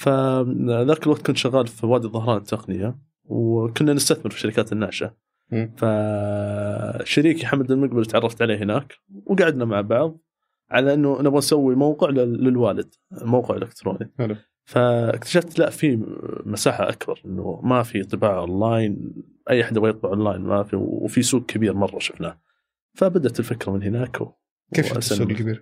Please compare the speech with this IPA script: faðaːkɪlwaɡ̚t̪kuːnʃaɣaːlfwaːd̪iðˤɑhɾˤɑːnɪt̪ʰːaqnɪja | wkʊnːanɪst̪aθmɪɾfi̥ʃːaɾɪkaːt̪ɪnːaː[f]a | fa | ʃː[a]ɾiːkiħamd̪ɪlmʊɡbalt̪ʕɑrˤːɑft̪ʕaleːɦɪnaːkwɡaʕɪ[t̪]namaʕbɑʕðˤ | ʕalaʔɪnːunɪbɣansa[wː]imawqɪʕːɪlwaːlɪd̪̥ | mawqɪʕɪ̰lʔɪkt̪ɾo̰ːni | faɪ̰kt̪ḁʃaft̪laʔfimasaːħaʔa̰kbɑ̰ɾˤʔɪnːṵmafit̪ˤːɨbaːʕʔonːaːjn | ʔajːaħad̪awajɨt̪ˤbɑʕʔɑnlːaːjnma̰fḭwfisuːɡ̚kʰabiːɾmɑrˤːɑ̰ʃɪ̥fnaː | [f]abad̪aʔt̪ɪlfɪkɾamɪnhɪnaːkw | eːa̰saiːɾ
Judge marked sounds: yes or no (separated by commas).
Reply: no, yes, no, yes, yes